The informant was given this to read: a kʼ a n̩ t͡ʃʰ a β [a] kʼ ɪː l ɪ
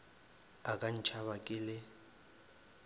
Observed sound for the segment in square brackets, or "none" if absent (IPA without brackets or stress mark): a